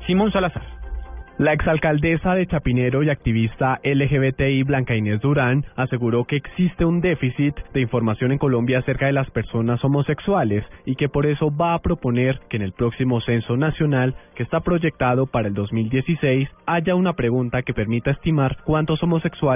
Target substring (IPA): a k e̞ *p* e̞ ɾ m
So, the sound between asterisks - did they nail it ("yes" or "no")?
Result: yes